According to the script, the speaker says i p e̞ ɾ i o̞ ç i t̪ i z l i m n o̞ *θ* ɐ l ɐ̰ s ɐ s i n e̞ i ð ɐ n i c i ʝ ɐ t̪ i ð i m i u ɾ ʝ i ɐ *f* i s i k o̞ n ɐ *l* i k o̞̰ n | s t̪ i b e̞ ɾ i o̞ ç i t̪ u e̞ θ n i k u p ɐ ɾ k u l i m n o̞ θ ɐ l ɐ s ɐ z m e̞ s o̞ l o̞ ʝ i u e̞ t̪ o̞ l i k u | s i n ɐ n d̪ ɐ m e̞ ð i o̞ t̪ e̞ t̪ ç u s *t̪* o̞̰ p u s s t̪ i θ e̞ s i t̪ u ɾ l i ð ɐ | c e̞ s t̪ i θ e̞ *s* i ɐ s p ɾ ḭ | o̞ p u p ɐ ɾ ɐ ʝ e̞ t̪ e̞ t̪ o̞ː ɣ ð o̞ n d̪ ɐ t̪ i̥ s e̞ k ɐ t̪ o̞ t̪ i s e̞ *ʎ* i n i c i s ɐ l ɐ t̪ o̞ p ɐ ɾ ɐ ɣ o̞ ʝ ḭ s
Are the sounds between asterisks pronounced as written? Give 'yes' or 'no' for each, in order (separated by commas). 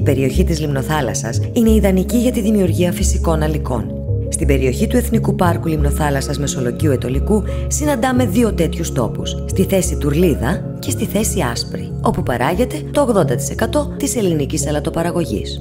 yes, yes, yes, yes, yes, no